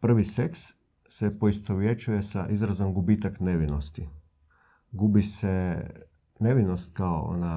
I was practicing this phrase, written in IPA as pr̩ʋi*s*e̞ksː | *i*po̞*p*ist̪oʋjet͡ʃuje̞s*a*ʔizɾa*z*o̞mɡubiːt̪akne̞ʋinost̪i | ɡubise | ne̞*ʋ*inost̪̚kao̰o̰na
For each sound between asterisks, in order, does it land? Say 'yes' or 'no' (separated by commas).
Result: yes, no, no, yes, yes, yes